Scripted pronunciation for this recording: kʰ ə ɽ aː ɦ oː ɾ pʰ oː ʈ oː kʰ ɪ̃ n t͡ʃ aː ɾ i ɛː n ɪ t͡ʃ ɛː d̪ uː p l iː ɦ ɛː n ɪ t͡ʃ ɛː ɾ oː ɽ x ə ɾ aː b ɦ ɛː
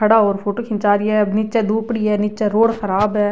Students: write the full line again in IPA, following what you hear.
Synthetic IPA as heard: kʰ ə ɽ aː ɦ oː ɾ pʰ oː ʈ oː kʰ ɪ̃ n t͡ʃ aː ɾ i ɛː n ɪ t͡ʃ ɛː d̪ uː p ɽ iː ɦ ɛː n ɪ t͡ʃ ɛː ɾ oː ɽ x ə ɾ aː b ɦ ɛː